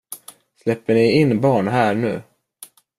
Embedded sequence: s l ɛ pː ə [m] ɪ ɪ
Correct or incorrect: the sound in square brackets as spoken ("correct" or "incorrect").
incorrect